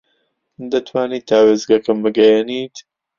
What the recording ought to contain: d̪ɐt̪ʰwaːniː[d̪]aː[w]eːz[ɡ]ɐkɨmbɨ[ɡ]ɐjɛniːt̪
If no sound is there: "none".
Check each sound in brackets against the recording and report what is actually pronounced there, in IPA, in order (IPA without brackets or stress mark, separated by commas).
t̪, w, ɡ, ɡ